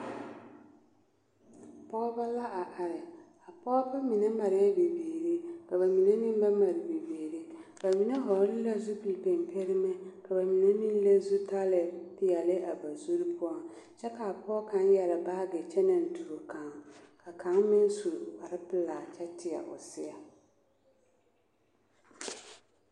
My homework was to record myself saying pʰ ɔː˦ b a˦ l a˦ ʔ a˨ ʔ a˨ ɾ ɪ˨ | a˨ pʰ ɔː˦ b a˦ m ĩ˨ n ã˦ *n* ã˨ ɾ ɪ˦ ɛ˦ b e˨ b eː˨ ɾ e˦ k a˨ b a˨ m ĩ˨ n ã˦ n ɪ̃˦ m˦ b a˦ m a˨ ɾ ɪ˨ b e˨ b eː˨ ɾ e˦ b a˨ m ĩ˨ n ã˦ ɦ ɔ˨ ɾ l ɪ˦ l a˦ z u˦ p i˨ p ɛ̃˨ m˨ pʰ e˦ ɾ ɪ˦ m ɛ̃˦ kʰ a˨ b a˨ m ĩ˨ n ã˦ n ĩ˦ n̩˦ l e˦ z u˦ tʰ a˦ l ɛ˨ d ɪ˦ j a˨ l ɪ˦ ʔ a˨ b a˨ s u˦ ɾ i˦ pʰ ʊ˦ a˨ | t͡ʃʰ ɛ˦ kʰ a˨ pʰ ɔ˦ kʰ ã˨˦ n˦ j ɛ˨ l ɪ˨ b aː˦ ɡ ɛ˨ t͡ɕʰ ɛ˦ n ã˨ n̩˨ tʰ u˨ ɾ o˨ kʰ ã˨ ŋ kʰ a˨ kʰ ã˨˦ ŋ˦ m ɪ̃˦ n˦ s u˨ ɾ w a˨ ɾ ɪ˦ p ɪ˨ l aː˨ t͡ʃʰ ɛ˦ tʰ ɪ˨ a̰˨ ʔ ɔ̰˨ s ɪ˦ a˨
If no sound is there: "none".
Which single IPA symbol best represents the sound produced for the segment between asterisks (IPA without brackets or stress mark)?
m